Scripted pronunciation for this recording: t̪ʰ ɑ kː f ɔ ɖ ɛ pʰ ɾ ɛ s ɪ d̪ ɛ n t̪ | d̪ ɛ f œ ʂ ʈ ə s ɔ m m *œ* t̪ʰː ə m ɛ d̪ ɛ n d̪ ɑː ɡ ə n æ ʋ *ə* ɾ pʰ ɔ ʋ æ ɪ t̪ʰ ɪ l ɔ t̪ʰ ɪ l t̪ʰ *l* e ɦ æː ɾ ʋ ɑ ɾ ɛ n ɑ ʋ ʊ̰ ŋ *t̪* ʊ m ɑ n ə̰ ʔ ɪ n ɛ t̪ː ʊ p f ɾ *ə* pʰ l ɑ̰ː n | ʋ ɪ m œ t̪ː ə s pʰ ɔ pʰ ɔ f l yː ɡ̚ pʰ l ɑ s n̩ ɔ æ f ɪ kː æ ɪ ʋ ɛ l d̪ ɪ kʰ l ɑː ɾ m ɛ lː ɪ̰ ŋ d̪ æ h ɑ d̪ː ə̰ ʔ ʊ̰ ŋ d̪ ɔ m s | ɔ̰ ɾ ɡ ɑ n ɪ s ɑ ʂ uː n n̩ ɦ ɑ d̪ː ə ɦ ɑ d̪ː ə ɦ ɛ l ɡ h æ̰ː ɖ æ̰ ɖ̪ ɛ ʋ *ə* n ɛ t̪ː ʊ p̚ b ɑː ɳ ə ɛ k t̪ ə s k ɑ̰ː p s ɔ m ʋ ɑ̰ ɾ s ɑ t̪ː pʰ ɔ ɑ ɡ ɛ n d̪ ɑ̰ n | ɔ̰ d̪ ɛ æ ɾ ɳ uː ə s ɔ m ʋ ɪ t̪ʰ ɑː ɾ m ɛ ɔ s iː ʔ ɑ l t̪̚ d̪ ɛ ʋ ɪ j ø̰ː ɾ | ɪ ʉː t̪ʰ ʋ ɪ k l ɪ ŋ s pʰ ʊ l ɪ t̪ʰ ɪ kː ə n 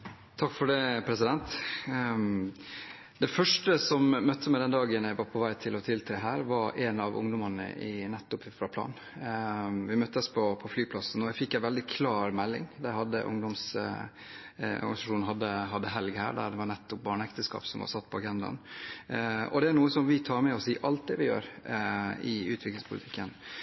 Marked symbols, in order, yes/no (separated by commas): yes, no, no, no, no, no